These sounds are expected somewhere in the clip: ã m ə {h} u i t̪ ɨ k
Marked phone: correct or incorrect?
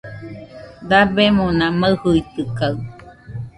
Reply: correct